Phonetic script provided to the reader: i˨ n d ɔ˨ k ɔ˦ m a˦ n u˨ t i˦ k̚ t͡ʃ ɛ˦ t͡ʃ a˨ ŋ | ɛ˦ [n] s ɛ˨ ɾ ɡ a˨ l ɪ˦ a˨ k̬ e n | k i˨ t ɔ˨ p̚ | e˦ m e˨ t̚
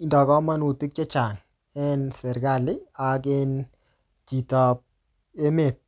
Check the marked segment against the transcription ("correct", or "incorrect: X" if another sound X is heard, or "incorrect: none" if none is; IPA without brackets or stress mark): correct